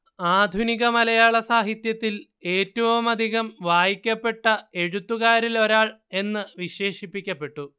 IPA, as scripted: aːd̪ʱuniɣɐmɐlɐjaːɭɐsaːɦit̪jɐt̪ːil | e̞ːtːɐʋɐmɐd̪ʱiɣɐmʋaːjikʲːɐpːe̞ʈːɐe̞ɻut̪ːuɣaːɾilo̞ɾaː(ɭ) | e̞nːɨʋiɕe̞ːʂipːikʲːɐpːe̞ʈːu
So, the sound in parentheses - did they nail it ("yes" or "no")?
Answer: yes